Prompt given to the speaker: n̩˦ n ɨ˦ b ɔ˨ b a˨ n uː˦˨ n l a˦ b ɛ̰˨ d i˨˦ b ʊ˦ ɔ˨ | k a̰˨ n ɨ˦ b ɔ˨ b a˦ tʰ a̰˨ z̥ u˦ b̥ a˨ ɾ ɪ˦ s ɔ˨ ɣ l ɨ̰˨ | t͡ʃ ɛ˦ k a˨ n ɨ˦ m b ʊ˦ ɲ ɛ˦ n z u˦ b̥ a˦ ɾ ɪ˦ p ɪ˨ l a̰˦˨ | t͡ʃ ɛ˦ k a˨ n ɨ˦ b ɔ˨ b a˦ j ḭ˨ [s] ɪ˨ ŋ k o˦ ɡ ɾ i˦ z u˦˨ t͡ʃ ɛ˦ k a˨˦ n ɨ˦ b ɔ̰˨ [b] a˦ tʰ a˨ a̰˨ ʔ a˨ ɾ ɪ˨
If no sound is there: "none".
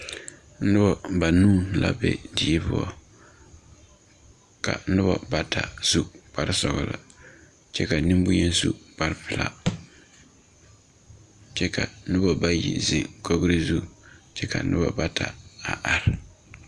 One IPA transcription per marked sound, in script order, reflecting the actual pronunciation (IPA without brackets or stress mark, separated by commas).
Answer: z, b